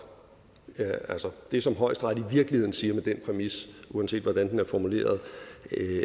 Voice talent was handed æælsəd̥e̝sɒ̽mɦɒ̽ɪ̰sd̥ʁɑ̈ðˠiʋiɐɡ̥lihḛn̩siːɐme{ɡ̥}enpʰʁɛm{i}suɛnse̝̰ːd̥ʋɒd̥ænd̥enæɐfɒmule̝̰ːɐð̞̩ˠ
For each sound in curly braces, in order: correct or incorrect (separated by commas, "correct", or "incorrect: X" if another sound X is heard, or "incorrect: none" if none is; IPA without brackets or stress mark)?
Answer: incorrect: d̥, correct